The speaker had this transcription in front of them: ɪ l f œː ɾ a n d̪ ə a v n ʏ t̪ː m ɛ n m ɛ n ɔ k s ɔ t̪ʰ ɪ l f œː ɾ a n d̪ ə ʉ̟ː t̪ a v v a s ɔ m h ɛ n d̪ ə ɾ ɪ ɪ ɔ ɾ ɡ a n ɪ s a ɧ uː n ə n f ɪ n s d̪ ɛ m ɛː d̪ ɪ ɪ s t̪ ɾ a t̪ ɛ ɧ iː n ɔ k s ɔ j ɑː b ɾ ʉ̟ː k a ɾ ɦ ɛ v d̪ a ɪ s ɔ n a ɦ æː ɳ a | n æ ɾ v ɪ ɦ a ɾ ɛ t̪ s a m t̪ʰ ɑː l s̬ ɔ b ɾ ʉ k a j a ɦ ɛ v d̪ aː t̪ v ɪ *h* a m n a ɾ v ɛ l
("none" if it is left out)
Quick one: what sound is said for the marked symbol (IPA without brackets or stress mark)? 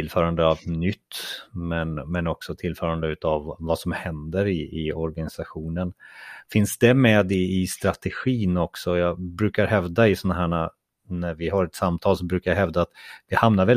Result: h